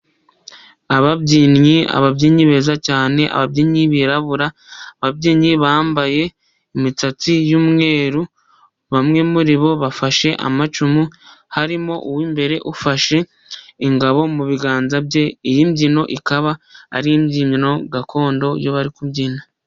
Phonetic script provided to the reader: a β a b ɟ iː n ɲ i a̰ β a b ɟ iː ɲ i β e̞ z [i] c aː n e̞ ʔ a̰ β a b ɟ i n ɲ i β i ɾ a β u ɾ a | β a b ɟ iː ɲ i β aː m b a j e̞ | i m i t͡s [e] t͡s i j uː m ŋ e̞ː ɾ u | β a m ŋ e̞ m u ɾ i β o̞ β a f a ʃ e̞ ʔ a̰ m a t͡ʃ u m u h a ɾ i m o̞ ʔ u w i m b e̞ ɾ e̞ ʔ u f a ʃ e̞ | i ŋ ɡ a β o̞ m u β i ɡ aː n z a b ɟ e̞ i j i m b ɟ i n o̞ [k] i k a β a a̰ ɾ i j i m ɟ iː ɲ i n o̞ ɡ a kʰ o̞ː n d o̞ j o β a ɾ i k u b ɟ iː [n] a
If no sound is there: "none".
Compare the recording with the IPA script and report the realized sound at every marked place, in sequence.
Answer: a, a, ʔ, n

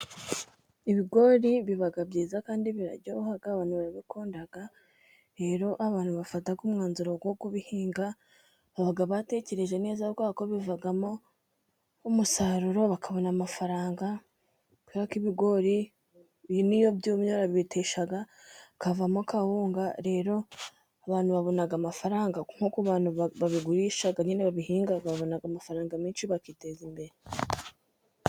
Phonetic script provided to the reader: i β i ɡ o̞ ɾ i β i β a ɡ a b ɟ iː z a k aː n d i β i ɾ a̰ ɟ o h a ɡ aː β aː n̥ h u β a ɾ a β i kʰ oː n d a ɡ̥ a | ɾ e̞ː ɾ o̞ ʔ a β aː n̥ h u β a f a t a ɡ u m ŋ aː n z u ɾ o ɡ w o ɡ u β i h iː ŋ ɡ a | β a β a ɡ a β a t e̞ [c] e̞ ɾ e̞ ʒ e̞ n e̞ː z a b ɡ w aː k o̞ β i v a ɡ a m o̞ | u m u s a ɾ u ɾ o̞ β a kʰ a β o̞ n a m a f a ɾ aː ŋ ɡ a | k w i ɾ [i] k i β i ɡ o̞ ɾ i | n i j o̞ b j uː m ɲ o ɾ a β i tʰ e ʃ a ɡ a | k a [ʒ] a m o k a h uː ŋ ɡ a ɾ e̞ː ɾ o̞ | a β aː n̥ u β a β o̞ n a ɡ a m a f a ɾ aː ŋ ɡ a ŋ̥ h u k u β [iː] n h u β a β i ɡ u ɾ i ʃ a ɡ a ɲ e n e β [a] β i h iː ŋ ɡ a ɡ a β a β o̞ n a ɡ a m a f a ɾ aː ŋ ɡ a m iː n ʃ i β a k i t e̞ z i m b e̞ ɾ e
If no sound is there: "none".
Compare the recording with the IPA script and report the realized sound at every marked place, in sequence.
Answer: c, a, v, aː, a

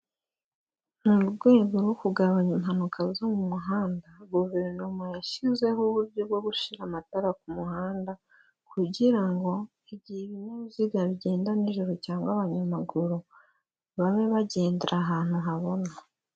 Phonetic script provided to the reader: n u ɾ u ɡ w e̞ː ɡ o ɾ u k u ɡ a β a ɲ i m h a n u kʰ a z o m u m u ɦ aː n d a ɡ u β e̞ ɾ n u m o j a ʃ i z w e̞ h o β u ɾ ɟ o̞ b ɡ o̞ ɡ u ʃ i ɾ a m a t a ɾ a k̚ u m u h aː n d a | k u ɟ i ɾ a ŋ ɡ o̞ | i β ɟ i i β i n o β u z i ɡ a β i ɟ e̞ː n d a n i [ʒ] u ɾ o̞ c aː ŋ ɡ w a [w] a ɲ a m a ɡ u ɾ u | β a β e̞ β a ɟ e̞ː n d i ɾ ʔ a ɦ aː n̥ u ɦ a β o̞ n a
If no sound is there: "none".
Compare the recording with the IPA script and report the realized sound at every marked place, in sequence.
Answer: ʒ, β

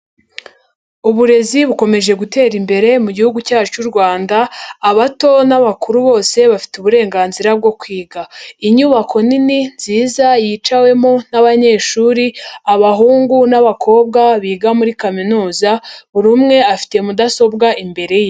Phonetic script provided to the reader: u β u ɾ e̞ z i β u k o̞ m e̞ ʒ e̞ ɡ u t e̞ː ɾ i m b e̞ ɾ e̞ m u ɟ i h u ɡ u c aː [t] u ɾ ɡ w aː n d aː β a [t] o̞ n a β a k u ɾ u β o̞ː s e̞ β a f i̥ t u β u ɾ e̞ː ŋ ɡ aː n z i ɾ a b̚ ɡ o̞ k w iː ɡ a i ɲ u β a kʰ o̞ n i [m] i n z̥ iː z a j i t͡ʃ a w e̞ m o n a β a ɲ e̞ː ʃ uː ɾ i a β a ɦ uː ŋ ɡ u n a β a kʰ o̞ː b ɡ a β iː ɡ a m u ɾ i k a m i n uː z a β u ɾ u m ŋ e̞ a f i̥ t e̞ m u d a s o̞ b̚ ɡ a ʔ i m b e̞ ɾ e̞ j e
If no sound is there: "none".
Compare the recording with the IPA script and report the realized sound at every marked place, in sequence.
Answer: t͡ʃ, t, n

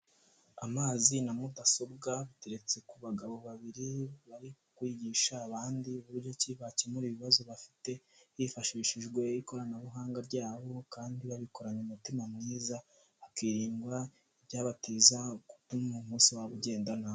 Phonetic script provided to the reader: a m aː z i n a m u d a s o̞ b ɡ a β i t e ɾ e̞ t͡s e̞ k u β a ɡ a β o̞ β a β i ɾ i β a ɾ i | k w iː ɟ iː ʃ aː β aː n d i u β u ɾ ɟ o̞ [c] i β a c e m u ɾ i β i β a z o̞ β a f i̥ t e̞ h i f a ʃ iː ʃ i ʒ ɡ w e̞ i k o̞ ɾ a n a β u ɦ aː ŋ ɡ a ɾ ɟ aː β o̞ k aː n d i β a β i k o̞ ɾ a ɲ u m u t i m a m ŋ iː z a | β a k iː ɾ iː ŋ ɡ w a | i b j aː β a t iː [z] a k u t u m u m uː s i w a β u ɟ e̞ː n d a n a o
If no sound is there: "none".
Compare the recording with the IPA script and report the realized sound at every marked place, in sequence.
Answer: c, z

